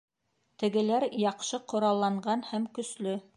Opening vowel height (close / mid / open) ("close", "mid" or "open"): mid